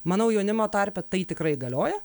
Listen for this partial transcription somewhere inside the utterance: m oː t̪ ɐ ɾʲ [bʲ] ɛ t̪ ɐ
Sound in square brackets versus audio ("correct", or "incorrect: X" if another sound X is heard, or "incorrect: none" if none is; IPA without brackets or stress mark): incorrect: pʲ